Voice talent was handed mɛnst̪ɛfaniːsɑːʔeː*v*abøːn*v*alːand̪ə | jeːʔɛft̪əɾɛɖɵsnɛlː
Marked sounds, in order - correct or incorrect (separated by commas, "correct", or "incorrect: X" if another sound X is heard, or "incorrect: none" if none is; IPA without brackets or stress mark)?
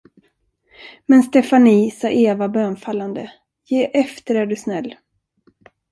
correct, incorrect: f